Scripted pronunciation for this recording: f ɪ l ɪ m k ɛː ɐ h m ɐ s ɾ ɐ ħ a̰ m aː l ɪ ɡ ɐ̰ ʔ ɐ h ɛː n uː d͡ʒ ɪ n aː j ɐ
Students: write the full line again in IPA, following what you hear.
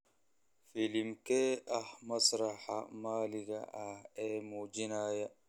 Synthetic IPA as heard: f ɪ l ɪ m k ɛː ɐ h m ɐ s ɾ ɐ ħ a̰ m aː l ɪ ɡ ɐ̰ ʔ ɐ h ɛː m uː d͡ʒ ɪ n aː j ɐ